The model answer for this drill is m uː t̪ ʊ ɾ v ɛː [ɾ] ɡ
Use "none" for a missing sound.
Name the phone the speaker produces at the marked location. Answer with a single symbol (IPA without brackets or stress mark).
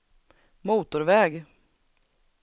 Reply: none